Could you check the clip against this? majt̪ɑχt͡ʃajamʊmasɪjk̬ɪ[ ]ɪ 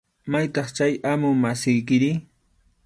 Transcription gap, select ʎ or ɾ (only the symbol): ɾ